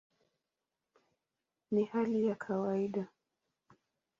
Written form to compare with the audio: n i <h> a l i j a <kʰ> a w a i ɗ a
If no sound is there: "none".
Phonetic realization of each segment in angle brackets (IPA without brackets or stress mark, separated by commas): h, kʰ